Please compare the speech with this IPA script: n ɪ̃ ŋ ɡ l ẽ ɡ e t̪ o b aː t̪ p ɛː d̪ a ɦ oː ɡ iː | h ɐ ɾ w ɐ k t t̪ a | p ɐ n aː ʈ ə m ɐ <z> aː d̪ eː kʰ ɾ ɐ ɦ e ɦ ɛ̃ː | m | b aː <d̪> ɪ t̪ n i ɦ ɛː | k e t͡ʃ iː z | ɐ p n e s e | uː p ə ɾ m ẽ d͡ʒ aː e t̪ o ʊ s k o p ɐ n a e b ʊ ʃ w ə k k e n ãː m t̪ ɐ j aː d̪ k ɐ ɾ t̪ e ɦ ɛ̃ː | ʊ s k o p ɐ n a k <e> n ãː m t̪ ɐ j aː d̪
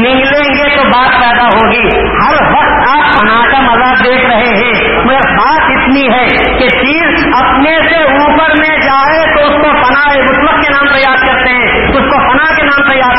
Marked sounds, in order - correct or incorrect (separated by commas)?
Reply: correct, incorrect, correct